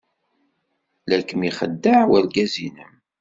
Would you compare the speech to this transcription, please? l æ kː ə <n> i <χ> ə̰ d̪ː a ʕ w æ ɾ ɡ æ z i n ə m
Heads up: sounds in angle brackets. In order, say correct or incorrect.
incorrect: m, correct

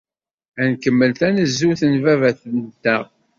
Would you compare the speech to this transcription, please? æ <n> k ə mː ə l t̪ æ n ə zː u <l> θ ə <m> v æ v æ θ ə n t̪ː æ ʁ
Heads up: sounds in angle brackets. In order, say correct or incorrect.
correct, incorrect: none, incorrect: n

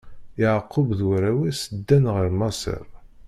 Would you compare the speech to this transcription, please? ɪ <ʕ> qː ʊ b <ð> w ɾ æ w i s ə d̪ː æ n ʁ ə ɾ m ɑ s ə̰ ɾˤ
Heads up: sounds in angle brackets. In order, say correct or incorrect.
correct, correct

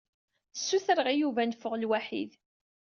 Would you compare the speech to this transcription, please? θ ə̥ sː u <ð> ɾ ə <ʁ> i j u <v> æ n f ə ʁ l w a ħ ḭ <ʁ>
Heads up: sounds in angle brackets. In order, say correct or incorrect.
incorrect: θ, correct, correct, incorrect: ð

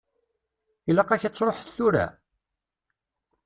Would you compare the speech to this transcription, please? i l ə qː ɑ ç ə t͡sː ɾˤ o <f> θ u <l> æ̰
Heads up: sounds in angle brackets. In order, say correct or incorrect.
incorrect: ħ, incorrect: ɾ

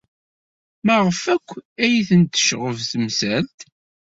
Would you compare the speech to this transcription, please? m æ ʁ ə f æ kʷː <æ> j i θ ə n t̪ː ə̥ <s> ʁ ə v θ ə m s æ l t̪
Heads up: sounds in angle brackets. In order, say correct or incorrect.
correct, incorrect: ʃ

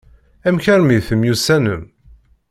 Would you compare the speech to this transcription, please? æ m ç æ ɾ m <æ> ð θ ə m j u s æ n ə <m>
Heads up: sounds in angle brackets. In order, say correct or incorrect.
incorrect: i, correct

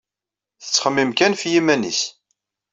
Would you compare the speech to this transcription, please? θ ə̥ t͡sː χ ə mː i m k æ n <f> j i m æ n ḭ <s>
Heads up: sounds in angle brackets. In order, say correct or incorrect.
correct, correct

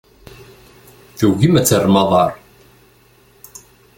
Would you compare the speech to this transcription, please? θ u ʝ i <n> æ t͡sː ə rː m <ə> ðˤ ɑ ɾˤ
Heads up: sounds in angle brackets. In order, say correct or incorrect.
incorrect: m, incorrect: ɑ

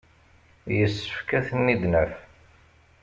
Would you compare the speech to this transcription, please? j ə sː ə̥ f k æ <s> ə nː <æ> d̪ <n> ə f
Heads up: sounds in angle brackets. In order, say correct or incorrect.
incorrect: θ, incorrect: i, correct

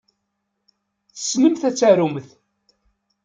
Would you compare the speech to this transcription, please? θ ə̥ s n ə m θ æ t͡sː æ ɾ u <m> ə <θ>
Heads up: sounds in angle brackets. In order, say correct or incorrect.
correct, correct

